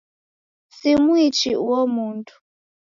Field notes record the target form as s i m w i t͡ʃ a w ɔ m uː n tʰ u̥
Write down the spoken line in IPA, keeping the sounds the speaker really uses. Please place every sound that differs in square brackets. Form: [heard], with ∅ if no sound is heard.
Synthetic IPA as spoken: s i m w i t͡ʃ [i] w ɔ m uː n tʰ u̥